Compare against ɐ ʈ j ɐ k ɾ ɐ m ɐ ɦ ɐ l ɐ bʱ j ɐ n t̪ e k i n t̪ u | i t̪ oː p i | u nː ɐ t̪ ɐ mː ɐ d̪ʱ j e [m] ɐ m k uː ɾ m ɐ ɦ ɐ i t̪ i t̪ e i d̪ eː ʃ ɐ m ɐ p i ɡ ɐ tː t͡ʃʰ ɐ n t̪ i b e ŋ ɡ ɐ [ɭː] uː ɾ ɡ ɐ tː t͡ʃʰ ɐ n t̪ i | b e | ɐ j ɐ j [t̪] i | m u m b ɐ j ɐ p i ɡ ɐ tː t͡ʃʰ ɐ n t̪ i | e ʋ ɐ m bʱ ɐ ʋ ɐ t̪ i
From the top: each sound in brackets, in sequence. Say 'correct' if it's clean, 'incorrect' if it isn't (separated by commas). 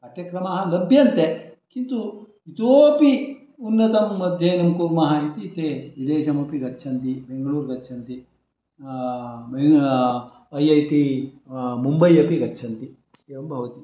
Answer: incorrect, incorrect, correct